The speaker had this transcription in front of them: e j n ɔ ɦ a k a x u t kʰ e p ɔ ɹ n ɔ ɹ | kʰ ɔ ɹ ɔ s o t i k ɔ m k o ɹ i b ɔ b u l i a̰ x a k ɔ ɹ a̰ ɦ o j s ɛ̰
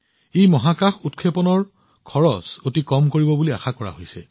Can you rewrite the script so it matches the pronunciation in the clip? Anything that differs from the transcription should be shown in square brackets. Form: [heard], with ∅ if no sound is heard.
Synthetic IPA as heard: e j [m] ɔ ɦ a k a x u t kʰ e p ɔ [∅] n ɔ ɹ | kʰ ɔ ɹ ɔ s o t i k ɔ m k o ɹ i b ɔ b u l i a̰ x a k ɔ ɹ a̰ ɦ o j s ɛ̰